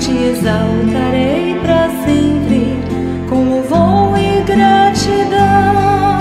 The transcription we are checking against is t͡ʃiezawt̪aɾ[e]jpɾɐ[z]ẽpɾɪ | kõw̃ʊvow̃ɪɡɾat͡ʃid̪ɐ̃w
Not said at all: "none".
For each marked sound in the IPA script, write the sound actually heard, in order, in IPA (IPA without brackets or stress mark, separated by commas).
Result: e, s